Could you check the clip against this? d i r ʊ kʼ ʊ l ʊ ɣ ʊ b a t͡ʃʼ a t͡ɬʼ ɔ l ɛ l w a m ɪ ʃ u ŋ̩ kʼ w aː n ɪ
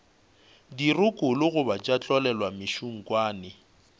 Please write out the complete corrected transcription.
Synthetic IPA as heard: d i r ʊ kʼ ʊ l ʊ ɣ ʊ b a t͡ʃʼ a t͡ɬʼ ɔ l ɛ l w a m ɪ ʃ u ŋ̩ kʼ w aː n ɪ